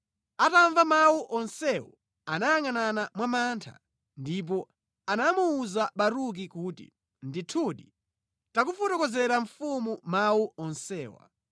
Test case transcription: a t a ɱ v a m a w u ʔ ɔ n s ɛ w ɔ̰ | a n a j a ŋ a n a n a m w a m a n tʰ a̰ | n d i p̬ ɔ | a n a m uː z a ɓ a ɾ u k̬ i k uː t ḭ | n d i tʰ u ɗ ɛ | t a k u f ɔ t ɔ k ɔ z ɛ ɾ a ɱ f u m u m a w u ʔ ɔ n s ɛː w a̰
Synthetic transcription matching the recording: a t a ɱ v a m a w u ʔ ɔ n s ɛ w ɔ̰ | a n a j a ŋ a n a n a m w a m a n tʰ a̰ | n d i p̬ ɔ | a n a m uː z a ɓ a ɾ u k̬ i k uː t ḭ | n d i tʰ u ɗ i | t a k u f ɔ t ɔ k ɔ z ɛ ɾ a ɱ f u m u m a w u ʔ ɔ n s ɛː w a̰